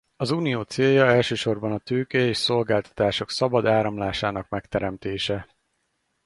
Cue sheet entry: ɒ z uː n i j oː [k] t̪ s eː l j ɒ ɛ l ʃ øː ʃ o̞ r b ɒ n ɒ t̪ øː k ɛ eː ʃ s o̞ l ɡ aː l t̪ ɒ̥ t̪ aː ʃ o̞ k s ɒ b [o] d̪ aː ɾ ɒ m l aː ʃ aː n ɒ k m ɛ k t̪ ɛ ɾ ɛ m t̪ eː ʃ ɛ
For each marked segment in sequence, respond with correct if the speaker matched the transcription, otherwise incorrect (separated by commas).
incorrect, incorrect